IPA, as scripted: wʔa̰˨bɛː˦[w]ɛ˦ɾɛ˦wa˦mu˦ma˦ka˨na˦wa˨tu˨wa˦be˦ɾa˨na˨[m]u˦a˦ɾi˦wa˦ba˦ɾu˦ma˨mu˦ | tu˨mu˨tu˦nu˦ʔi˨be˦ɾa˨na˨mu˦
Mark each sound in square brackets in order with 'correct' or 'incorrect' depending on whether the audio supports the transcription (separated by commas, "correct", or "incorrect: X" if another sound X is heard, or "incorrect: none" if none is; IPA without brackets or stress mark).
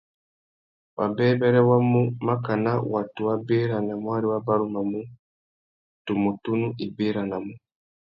incorrect: b, correct